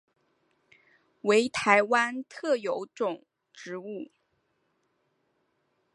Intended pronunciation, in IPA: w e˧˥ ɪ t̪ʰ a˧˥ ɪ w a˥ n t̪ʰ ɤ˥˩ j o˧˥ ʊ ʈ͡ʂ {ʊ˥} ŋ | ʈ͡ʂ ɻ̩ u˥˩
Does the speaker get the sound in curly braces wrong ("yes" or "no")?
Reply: yes